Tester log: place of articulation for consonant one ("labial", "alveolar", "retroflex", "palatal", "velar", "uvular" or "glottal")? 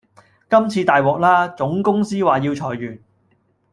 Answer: velar